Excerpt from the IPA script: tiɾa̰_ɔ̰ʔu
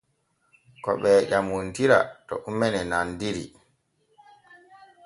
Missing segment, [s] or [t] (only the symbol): t